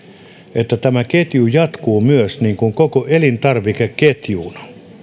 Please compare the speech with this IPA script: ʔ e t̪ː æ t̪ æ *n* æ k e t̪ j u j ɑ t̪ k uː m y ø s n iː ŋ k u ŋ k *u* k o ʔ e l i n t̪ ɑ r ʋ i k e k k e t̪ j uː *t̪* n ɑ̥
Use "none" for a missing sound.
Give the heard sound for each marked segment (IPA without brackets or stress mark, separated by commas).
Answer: m, o, none